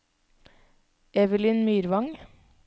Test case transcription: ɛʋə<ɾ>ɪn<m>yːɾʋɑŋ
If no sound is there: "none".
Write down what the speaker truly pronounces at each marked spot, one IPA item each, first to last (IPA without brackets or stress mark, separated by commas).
l, m